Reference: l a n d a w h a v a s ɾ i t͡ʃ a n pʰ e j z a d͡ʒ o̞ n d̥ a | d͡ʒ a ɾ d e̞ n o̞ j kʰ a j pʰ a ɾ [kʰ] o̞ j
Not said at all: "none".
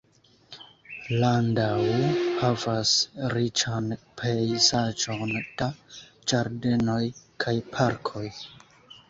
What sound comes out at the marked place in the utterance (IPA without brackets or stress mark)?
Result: kʰ